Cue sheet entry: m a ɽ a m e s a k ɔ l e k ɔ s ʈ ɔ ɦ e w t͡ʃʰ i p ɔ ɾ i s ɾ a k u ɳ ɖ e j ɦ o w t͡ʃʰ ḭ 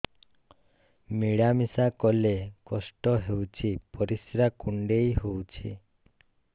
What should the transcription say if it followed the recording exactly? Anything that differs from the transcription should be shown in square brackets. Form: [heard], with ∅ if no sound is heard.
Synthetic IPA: m [i] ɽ a m [i] s a k ɔ l e k ɔ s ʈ ɔ ɦ e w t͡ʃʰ i p ɔ ɾ i s ɾ a k u ɳ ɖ e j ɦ o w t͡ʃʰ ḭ

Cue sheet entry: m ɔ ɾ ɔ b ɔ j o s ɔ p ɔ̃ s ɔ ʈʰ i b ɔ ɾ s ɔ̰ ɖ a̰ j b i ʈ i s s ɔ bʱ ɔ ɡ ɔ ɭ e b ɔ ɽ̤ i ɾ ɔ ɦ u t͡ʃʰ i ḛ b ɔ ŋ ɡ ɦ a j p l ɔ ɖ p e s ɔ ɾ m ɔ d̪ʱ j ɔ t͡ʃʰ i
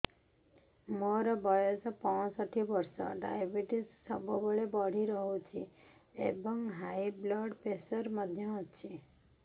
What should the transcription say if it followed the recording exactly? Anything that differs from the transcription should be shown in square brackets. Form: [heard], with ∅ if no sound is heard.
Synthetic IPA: m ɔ ɾ ɔ b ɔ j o s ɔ p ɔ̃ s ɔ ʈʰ i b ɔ ɾ s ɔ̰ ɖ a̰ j b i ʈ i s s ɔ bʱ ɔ [b] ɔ ɭ e b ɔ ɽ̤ i ɾ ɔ ɦ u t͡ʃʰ i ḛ b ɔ ŋ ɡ ɦ a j [b] l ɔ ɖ p e s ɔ ɾ m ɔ d̪ʱ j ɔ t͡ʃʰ i

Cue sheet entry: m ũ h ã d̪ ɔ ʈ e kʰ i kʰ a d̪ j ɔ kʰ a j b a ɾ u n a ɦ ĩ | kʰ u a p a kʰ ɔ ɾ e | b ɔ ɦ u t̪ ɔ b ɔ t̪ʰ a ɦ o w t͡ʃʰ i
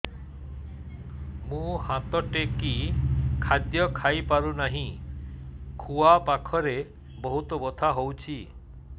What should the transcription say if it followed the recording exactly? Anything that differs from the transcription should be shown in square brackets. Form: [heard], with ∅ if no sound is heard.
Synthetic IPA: m ũ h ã [t̪] ɔ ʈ e [k] i kʰ a d̪ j ɔ kʰ a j [p] a ɾ u n a ɦ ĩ | kʰ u a p a kʰ ɔ ɾ e | b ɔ ɦ u t̪ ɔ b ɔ t̪ʰ a ɦ o w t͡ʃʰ i

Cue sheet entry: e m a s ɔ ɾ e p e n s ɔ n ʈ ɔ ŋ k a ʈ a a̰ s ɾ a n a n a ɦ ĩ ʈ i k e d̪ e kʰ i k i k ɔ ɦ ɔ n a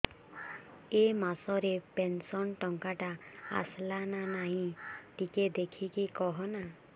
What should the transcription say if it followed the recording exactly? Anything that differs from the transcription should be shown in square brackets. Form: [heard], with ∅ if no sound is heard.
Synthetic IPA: e m a s ɔ ɾ e p e n s ɔ n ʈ ɔ ŋ k a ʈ a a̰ s [l] a n a n a ɦ ĩ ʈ i k e d̪ e kʰ i k i k ɔ ɦ ɔ n a

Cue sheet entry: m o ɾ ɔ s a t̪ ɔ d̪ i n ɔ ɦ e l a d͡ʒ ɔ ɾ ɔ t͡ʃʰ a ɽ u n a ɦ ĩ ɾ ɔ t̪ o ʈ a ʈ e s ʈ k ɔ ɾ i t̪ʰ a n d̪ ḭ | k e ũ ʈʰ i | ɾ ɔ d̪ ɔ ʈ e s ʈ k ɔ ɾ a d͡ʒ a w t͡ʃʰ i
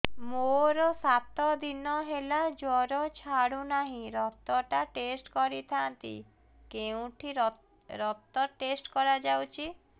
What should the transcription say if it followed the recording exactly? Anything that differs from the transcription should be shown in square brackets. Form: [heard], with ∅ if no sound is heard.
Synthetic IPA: m o ɾ ɔ s a t̪ ɔ d̪ i n ɔ ɦ e l a d͡ʒ ɔ ɾ ɔ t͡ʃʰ a ɽ u n a ɦ ĩ ɾ ɔ t̪ [ɔ] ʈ a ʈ e s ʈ k ɔ ɾ i t̪ʰ a n [t̪] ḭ | k e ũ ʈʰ i | ɾ ɔ [t̪] ɔ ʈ e s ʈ k ɔ ɾ a d͡ʒ a w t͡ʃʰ i

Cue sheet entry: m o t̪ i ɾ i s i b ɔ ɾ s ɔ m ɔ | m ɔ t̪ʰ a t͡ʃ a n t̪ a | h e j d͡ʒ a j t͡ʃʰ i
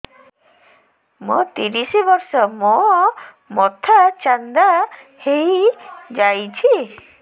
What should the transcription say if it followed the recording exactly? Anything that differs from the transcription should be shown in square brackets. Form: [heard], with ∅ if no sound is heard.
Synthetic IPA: m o t̪ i ɾ i s i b ɔ ɾ s ɔ m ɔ | m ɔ t̪ʰ a t͡ʃ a n [d̪] a | h e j d͡ʒ a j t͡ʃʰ i

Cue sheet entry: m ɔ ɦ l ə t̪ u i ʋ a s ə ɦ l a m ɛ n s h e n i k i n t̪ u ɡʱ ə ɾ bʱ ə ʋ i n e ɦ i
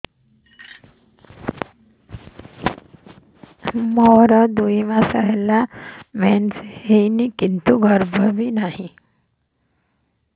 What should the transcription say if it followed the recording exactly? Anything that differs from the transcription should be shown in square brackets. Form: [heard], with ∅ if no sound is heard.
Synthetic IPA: m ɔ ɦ [ɾ] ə [d̪] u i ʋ a s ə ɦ l a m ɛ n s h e n i k i n t̪ u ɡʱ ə ɾ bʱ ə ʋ i n [a] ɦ i

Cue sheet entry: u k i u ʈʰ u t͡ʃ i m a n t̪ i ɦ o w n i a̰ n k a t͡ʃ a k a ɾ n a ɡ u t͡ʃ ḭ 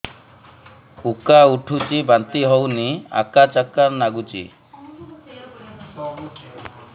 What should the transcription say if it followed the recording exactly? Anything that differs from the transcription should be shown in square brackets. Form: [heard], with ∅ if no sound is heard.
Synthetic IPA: u k [a] u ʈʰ u t͡ʃ i [b] a n t̪ i ɦ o w n i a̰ [∅] k a t͡ʃ a k a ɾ n a ɡ u t͡ʃ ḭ

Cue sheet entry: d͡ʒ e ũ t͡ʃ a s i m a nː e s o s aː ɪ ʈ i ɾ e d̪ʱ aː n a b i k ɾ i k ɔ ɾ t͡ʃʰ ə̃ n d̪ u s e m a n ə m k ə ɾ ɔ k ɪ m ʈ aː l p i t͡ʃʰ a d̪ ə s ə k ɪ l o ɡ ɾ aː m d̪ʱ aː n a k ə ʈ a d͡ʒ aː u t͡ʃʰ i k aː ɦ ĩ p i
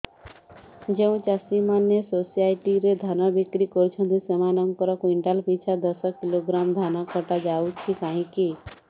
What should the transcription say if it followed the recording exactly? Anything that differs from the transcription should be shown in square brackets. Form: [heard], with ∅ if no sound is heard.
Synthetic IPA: d͡ʒ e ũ t͡ʃ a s i m a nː e s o s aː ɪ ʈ i ɾ e d̪ʱ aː n a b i k ɾ i k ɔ ɾ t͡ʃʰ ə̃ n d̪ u s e m a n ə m k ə ɾ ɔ k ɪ [ɳ] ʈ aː l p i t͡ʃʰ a d̪ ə s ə k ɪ l o ɡ ɾ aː m d̪ʱ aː n a k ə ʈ a d͡ʒ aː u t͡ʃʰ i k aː ɦ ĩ [k] i

